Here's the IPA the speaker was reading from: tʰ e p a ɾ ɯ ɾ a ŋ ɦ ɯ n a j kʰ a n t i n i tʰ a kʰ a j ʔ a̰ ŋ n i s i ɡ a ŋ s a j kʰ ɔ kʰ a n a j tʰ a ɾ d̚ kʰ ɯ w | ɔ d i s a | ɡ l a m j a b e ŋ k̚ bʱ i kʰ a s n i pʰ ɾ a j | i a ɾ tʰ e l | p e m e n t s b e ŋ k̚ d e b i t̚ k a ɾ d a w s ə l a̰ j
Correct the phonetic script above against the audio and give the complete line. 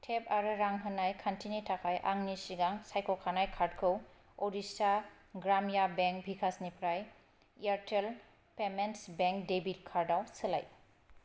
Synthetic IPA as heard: tʰ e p a ɾ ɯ ɾ a ŋ ɦ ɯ n a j kʰ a n t i n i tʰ a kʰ a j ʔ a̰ ŋ n i s i ɡ a ŋ s a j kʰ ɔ kʰ a n a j kʰ a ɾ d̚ kʰ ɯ w | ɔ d i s a | ɡ ɾ a m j a b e ŋ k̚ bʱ i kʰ a s n i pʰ ɾ a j | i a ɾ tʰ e l | p e m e n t s b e ŋ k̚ d e b i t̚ kʰ a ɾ d a w s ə l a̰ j